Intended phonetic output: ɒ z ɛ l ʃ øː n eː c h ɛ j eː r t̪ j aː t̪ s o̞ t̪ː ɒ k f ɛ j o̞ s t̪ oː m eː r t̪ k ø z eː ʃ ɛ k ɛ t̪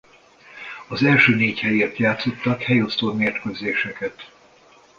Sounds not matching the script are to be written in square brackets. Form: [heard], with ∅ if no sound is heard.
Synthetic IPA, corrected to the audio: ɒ z ɛ l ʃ øː n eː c h ɛ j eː r t̪ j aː t̪ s o̞ t̪ː ɒ k [h] ɛ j o̞ s t̪ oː m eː r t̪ k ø z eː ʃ ɛ k ɛ t̪